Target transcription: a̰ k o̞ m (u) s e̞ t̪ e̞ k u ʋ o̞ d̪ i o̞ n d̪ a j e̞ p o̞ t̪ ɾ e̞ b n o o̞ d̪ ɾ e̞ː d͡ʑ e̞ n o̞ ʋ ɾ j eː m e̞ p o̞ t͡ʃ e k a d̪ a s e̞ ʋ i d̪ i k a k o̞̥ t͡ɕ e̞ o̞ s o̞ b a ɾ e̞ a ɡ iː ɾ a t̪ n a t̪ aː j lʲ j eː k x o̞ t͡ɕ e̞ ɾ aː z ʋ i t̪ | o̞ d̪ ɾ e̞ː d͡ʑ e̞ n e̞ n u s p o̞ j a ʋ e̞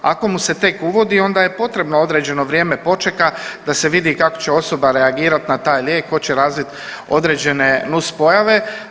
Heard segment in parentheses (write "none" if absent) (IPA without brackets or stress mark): u